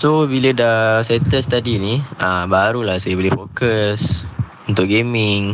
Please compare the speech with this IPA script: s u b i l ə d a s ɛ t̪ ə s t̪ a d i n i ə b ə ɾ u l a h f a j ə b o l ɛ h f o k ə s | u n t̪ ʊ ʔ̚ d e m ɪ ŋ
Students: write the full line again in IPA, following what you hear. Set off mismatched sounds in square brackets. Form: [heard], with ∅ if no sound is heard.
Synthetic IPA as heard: s [o] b i l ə d a s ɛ t̪ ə s t̪ a d i n i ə b [a] ɾ u l a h [s] a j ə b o l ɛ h f o k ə s | u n t̪ ʊ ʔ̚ [ɡ] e m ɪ ŋ